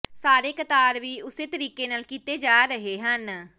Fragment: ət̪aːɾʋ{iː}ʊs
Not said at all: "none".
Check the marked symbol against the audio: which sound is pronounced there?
iː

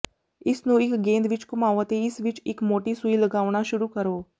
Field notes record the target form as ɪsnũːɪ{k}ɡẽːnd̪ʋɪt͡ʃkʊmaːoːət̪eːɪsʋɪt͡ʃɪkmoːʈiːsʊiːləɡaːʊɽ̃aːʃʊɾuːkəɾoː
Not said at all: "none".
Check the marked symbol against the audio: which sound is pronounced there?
k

